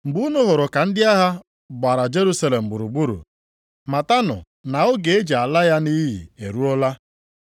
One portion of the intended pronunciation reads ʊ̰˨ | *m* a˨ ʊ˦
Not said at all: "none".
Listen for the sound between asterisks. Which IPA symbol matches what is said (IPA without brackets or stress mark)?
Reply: n